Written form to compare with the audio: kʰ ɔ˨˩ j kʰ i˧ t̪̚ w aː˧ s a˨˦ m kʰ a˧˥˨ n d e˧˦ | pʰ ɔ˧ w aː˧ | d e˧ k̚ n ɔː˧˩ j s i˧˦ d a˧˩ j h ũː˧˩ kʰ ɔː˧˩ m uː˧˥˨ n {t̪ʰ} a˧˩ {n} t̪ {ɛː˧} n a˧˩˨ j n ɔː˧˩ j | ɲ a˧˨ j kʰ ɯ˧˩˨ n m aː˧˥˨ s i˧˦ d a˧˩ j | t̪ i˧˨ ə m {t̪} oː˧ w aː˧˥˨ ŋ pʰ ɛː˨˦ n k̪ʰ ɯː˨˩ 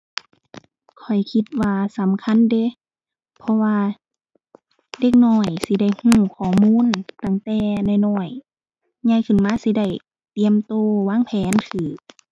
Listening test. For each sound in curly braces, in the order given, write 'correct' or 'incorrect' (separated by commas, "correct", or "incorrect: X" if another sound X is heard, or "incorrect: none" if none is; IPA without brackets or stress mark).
incorrect: t̪, incorrect: ŋ, correct, correct